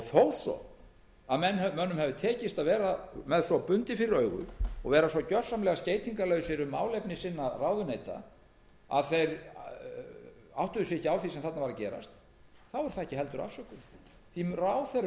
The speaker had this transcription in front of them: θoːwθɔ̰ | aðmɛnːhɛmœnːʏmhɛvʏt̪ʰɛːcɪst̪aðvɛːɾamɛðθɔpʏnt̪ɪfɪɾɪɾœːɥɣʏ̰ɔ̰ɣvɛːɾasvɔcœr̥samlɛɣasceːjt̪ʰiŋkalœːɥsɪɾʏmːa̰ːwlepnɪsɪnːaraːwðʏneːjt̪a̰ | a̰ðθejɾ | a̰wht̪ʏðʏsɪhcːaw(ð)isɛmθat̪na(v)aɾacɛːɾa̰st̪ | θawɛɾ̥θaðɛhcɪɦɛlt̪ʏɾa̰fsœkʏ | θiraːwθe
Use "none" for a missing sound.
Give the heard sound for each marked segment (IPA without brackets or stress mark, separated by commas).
θ, v